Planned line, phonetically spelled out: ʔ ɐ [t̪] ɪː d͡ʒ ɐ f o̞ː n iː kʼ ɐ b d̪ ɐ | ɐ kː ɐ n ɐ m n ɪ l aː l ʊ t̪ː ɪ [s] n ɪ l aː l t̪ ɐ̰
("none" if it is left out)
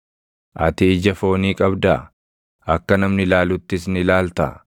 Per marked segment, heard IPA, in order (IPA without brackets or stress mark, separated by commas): t̪, s